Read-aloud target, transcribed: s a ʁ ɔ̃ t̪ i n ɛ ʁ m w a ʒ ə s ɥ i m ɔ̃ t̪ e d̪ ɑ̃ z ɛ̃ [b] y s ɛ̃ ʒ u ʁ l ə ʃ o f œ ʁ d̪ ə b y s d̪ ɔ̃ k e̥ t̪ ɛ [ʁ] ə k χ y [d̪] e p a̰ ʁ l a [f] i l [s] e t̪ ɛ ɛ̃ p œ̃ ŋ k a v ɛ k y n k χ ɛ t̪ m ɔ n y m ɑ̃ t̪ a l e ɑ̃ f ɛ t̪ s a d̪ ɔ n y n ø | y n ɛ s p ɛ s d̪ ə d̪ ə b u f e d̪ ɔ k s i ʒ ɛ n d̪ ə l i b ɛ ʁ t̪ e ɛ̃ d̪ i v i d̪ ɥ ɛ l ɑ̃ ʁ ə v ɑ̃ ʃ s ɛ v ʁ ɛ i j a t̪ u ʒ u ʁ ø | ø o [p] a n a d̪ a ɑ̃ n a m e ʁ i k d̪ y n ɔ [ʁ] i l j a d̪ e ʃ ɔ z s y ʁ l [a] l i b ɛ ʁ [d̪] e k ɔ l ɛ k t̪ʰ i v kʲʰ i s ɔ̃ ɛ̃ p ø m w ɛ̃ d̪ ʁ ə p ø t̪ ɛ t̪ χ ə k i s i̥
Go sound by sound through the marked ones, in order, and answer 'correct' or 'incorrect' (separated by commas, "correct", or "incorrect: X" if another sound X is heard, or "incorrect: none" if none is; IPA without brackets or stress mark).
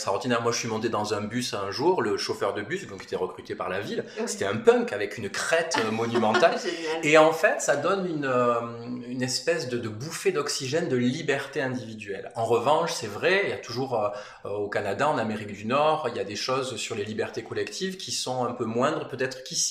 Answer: correct, correct, incorrect: t̪, incorrect: v, correct, incorrect: k, correct, incorrect: e, incorrect: t̪